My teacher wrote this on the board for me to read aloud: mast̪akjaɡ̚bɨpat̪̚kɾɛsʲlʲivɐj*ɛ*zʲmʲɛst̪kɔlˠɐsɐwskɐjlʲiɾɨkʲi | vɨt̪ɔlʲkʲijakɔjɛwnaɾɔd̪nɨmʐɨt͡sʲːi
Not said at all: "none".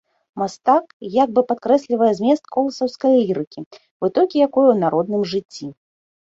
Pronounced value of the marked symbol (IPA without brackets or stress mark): ɛ